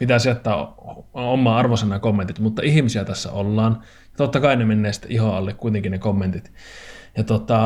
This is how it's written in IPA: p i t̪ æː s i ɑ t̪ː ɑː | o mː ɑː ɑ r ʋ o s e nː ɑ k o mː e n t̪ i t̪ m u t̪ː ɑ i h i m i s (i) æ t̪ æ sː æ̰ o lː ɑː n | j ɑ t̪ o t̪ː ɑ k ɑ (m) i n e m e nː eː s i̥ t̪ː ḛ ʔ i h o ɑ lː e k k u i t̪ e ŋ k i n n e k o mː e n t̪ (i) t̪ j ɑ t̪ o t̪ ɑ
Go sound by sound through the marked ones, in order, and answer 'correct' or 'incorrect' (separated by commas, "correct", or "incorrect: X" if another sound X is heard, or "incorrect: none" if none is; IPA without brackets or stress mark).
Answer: correct, incorrect: none, correct